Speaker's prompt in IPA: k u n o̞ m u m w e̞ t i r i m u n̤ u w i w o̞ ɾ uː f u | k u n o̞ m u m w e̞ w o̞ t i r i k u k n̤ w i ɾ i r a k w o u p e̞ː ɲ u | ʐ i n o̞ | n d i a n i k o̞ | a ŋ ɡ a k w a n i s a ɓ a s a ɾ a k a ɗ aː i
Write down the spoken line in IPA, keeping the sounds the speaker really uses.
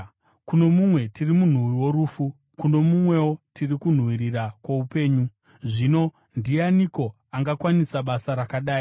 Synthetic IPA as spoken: k u n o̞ m u m w e̞ t i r i m u n̤ u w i w o̞ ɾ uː f u | k u n o̞ m u m w e̞ w o̞ t i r i k u n̤ w i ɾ i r a k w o u p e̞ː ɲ u | ʐ i n o̞ | n d i a n i k o̞ | a ŋ ɡ a k w a n i s a ɓ a s a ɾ a k a ɗ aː i